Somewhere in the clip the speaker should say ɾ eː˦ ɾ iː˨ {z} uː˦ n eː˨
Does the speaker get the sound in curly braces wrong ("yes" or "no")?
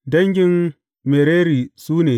yes